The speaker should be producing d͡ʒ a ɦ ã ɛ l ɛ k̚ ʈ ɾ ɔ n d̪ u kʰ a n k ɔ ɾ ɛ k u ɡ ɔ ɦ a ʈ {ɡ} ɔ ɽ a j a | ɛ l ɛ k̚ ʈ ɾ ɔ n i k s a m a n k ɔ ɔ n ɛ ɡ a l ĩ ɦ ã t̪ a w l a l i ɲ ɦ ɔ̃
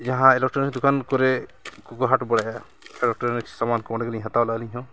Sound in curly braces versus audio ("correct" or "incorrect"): incorrect